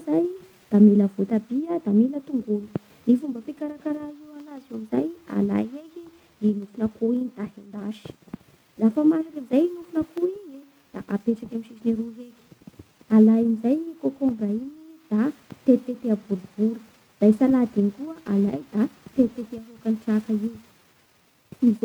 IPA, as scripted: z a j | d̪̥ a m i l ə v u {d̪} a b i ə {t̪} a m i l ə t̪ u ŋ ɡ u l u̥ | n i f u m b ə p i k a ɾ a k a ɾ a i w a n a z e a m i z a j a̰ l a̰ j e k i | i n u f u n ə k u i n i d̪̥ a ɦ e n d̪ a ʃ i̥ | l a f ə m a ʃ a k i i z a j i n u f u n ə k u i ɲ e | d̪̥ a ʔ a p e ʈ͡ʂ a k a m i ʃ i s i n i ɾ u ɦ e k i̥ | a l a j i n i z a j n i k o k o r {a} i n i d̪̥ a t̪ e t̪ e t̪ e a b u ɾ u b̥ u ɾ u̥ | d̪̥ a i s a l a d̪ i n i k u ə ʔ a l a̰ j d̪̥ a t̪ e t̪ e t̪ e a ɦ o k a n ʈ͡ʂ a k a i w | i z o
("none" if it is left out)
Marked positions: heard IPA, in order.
t̪, d̪, a

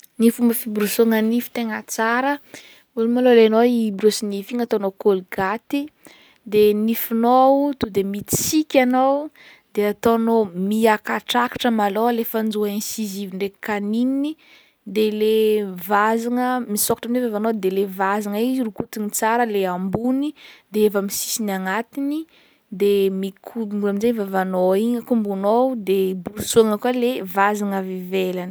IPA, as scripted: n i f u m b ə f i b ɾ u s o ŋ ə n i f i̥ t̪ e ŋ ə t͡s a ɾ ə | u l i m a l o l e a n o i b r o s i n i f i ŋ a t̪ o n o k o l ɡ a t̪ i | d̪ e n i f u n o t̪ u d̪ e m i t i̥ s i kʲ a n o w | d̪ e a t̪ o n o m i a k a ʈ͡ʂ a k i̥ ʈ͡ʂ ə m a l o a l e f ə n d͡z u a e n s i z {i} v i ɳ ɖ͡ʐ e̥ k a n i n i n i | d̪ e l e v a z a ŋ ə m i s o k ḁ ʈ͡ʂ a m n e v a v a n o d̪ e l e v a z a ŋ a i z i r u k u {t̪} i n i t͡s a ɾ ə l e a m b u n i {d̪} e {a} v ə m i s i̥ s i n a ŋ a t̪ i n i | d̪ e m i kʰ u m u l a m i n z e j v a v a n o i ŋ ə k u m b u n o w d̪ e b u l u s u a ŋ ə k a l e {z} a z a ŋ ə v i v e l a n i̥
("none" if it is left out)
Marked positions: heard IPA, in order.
i, t̪, d̪, e, v

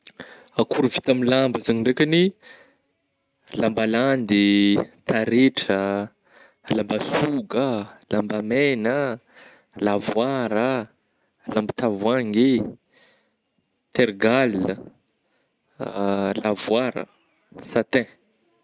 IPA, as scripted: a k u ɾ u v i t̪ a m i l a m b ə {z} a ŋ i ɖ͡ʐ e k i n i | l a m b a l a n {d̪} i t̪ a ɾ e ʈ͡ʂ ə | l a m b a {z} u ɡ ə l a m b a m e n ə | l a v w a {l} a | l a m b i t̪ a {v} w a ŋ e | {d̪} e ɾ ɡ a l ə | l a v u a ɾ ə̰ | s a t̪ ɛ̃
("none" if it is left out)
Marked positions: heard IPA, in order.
z, d̪, s, ɾ, v, t̪

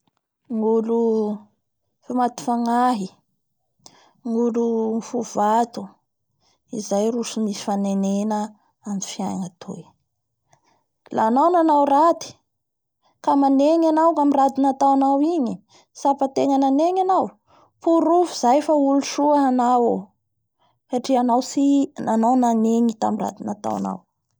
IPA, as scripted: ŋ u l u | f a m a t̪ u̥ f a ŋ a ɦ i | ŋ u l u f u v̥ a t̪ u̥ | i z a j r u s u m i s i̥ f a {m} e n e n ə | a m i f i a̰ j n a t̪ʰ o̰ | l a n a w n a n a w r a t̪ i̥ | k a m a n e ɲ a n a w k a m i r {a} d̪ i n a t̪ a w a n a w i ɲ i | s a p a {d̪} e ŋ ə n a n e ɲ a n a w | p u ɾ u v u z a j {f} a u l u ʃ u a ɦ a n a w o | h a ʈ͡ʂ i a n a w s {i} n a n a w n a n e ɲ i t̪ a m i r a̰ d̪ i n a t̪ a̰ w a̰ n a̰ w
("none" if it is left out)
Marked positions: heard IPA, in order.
n, a, t̪, f, i

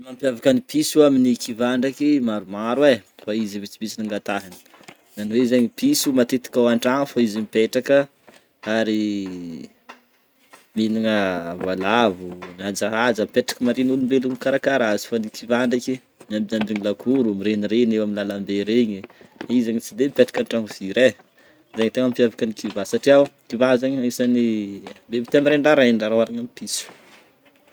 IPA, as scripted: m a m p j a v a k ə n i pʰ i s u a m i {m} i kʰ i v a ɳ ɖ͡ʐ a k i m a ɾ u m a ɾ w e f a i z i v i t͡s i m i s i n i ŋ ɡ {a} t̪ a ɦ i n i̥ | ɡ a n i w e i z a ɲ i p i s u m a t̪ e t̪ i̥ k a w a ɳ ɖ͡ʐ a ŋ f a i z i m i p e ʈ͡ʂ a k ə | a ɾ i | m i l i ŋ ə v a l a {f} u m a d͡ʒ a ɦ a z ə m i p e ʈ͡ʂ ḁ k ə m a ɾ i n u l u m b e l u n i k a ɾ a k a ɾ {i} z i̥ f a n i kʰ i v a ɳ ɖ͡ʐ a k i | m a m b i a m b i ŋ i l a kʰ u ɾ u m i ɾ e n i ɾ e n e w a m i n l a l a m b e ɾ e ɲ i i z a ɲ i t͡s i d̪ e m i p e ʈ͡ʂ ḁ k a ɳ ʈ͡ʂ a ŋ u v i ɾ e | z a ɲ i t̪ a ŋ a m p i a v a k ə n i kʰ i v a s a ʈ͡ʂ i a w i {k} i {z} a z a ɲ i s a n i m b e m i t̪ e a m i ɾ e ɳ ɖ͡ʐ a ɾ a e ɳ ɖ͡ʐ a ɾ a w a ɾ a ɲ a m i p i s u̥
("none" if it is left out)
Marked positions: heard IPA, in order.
n, a, v, a, k, v

